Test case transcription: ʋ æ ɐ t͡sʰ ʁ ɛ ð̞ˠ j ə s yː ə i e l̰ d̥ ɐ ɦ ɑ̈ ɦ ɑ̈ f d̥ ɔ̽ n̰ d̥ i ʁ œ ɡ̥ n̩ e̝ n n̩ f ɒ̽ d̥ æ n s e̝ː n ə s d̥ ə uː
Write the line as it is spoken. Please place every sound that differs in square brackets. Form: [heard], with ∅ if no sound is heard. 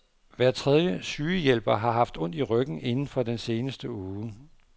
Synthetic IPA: ʋ æ ɐ t͡sʰ ʁ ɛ ð̞ˠ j ə s yː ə [j] e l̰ [b̥] ɐ ɦ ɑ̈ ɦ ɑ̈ f d̥ ɔ̽ n̰ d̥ i ʁ œ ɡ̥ n̩ e̝ n n̩ f ɒ̽ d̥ [e] n s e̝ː n ə s d̥ ə uː